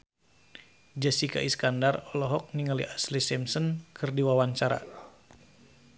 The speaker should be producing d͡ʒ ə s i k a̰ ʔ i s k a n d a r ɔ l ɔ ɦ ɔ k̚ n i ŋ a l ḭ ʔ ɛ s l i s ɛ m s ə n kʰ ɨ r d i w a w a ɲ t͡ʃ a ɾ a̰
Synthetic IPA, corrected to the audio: d͡ʒ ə s i k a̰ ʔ i s k a n d a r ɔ l ɔ ɦ ɔ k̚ n i ŋ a l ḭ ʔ a s l i s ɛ m s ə n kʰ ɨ r d i w a w a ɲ t͡ʃ a ɾ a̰